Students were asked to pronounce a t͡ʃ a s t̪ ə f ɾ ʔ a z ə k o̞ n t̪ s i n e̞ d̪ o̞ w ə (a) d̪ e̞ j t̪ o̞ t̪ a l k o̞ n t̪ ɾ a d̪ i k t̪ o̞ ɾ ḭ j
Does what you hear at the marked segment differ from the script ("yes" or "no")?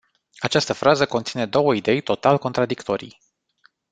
yes